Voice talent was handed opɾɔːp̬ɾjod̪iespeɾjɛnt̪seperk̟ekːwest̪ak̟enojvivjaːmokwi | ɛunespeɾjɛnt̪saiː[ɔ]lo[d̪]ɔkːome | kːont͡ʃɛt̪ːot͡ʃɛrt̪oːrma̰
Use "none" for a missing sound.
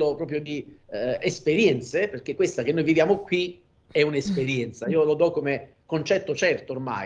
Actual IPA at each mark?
o, d̪

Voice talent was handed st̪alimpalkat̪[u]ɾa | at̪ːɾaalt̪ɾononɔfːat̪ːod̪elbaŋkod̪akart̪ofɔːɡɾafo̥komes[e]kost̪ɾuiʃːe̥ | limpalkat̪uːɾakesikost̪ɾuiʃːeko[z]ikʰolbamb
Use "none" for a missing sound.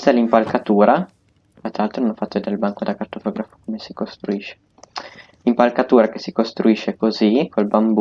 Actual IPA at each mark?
uː, i, z

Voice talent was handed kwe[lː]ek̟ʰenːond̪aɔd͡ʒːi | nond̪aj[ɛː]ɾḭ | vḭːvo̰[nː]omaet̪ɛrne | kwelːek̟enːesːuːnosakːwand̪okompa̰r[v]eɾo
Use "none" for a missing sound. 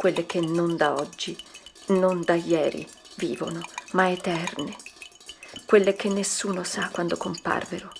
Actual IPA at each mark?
lː, ɛː, n, v

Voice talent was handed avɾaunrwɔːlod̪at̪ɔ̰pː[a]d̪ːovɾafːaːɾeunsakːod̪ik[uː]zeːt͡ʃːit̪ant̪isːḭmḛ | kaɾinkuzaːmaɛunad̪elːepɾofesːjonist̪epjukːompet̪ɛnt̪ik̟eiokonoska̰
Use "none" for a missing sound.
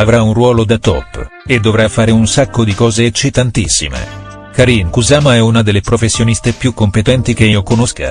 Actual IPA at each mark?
e, ɔː

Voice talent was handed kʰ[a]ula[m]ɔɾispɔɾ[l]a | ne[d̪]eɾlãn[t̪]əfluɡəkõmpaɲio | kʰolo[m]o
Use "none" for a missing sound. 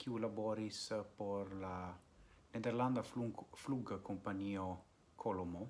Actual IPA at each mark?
i, b, l, d̪, d̪, m

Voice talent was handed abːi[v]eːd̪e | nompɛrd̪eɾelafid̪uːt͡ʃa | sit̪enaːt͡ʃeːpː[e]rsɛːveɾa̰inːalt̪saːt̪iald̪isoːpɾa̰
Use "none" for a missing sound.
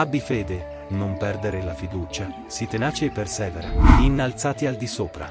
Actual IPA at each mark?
f, e

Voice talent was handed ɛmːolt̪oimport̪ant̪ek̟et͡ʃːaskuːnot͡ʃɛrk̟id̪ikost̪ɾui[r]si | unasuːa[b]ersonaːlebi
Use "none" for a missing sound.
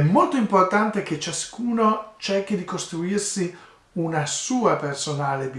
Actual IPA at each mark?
r, p

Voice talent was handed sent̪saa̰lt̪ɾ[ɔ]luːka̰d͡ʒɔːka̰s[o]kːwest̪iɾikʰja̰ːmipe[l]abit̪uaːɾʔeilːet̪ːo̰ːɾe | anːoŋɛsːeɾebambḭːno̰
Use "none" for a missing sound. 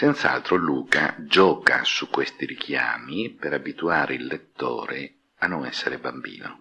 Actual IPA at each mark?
o, u, ɾ

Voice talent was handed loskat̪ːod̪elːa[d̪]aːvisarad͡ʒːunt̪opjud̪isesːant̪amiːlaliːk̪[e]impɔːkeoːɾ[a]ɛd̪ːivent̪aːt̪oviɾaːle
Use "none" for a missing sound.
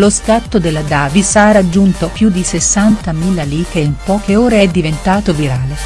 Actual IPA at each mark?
d̪, e, e

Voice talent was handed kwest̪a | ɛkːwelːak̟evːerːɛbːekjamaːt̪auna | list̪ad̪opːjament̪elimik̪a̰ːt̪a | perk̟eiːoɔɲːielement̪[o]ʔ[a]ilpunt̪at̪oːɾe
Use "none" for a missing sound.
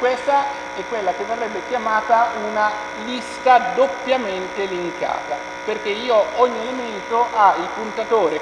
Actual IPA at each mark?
o, a

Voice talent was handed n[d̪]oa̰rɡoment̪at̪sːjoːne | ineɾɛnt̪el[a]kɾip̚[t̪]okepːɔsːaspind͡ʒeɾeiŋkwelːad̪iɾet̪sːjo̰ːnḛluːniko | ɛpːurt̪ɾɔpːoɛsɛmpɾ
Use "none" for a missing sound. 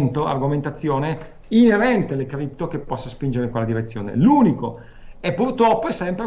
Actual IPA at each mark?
t̪, e, t̪

